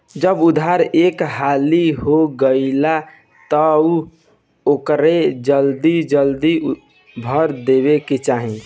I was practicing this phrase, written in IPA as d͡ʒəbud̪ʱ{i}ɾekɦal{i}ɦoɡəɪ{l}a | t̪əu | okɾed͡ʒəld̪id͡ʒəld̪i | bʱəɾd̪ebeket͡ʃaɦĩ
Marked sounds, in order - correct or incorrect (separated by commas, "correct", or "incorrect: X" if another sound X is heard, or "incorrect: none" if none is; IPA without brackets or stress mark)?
incorrect: a, correct, correct